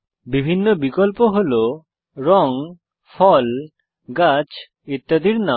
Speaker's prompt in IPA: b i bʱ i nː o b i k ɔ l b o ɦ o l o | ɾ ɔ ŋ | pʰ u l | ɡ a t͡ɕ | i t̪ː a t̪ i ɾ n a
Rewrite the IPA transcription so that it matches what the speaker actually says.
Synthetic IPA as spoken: b i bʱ i nː o b i k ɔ l p o ɦ o l o | ɾ ɔ ŋ | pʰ ɔ l | ɡ a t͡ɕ | i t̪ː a d̪ i ɾ n a